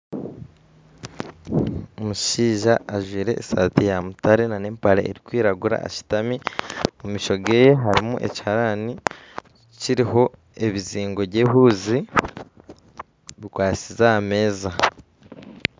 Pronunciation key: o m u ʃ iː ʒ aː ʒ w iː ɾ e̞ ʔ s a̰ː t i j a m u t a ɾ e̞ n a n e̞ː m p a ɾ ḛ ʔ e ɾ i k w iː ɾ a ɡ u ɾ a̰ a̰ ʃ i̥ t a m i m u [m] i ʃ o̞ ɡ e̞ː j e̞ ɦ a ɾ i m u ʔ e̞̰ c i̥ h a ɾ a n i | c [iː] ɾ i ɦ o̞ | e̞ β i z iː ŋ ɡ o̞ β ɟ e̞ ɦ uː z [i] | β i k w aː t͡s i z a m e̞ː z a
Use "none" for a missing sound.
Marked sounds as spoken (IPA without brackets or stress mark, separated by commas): m, i, i